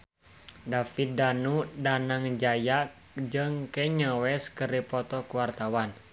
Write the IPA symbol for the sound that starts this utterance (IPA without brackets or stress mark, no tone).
d